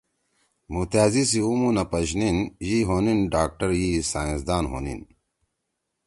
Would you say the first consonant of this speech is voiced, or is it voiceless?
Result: voiced